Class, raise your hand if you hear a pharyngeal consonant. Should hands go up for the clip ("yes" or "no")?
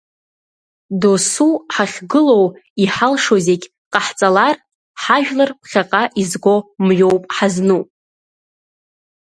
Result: yes